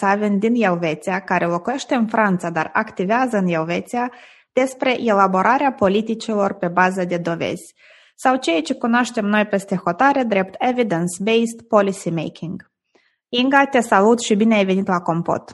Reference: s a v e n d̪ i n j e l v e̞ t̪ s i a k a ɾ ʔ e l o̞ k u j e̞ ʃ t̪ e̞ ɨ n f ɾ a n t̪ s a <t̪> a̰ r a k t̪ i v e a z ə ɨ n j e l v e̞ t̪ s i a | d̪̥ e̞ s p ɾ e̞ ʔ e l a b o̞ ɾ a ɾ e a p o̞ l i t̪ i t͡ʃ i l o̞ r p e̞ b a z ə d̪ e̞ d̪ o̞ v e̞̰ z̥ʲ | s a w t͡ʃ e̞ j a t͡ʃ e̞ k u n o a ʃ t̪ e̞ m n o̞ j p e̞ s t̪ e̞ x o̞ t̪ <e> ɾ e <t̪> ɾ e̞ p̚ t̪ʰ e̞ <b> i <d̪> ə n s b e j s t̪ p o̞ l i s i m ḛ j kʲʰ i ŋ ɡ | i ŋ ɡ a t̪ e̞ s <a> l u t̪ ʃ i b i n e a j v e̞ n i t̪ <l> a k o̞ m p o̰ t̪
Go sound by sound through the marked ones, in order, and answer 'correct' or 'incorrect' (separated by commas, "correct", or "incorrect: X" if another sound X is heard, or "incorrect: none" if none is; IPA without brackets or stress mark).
incorrect: d̪, incorrect: a, incorrect: d̪, incorrect: v, correct, correct, correct